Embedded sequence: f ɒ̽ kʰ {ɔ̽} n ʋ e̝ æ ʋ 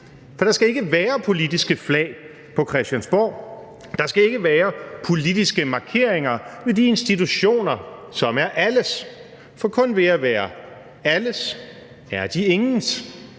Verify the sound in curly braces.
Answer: correct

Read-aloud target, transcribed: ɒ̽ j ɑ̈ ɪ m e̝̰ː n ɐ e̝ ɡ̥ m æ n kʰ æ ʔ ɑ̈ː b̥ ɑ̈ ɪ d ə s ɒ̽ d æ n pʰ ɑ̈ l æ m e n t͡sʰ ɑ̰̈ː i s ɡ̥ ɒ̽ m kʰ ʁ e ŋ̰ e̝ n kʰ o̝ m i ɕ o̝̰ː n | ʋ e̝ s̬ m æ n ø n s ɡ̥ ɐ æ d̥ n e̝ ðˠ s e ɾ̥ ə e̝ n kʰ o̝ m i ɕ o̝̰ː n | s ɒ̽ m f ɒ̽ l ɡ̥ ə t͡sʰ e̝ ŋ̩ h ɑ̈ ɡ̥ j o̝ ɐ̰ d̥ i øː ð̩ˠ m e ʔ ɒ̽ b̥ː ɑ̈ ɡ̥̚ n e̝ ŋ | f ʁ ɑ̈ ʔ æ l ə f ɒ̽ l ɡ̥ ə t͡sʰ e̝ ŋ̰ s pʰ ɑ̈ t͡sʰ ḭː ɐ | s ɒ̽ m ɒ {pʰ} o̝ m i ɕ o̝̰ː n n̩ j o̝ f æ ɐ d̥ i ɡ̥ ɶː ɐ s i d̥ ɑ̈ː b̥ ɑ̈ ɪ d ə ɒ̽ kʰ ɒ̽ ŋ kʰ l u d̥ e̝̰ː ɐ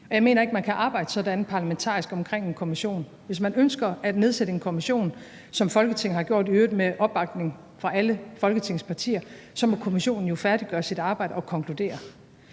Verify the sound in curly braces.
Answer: incorrect: kʰ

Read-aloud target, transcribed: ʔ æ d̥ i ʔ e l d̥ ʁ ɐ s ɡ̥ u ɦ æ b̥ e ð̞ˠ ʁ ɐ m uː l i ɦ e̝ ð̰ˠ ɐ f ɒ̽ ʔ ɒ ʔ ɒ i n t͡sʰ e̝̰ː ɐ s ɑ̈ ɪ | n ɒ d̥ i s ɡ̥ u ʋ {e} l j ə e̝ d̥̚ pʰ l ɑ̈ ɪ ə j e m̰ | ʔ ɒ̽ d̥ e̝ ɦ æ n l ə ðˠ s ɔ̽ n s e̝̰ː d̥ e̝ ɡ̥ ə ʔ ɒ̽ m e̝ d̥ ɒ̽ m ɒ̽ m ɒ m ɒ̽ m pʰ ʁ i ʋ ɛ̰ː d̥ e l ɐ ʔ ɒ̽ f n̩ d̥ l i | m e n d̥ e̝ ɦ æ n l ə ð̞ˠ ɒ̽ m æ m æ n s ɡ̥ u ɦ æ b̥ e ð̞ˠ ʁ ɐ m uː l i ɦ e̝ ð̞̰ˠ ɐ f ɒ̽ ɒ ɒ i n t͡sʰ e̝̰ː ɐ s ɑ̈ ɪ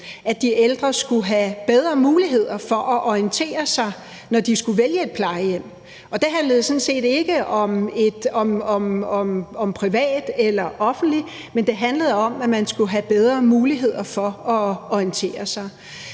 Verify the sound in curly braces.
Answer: correct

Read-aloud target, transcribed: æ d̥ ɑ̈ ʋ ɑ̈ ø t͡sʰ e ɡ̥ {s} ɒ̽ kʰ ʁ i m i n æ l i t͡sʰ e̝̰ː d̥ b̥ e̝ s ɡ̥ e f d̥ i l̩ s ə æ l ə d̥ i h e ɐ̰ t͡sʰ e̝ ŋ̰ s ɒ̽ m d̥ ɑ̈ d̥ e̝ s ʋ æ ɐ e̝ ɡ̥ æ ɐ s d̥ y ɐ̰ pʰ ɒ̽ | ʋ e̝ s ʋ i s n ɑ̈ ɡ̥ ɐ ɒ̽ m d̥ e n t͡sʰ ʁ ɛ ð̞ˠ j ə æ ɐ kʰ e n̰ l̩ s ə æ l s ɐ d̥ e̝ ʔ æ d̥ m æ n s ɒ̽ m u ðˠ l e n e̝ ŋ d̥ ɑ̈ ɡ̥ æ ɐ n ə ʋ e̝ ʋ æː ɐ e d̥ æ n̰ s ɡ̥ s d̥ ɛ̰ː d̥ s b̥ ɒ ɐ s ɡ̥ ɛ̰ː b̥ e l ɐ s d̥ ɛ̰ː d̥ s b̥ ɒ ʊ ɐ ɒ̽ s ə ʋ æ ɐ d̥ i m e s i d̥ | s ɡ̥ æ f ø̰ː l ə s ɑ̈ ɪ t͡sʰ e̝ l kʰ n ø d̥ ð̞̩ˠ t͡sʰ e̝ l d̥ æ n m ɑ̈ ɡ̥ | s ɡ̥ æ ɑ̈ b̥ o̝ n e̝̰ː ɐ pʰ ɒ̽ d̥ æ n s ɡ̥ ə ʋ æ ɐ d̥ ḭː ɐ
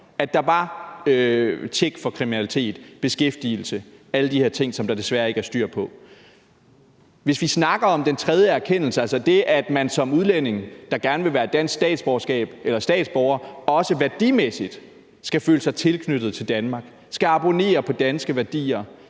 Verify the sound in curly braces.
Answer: incorrect: f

